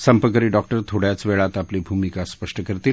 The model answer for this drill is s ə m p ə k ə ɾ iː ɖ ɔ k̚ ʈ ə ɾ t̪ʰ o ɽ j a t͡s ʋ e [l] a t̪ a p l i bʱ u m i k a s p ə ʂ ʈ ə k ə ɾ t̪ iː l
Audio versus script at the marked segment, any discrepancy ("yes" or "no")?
yes